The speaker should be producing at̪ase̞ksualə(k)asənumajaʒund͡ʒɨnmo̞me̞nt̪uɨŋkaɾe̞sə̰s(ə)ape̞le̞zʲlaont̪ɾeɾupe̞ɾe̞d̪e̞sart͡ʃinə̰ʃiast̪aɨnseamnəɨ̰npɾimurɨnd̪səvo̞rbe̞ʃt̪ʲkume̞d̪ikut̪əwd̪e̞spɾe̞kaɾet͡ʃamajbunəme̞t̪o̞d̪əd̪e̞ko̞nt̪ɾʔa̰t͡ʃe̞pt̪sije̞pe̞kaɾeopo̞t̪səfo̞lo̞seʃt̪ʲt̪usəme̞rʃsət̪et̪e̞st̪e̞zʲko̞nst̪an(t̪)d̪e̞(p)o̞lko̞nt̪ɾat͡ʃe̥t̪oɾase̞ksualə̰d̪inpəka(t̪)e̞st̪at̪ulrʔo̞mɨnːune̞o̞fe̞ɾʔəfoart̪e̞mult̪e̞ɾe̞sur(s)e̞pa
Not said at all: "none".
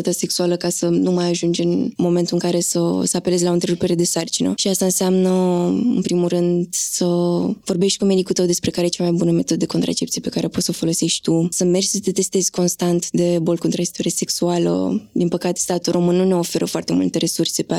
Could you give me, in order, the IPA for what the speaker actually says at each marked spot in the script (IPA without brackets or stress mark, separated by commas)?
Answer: k, ə, t̪, b, t̪, s